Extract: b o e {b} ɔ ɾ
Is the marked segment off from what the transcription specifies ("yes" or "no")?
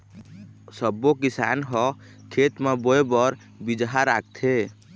no